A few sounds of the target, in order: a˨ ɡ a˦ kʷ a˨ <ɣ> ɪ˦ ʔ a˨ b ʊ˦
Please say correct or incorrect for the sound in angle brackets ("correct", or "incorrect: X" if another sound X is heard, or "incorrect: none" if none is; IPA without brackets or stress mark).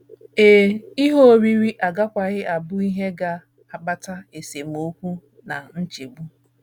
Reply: correct